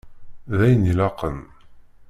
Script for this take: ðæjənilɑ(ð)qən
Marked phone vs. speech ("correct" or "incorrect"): incorrect